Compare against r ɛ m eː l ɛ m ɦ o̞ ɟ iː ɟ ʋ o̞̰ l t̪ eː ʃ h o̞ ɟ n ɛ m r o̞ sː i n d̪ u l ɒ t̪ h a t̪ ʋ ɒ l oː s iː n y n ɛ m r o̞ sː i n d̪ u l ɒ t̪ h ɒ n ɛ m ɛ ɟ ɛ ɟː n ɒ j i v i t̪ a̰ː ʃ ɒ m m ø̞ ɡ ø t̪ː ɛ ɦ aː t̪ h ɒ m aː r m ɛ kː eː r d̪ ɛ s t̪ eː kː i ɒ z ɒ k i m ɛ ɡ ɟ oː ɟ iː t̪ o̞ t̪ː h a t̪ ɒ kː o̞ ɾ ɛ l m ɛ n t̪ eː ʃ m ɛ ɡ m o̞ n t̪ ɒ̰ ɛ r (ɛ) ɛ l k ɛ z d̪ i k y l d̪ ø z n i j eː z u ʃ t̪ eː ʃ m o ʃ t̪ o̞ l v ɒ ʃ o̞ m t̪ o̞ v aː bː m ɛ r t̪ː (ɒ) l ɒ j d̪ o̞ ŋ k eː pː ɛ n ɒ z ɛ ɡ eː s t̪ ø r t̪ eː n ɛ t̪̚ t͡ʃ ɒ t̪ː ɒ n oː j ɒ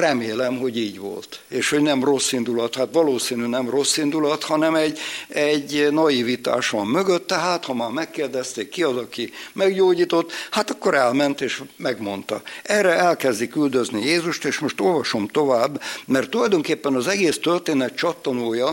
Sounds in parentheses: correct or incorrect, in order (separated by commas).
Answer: correct, incorrect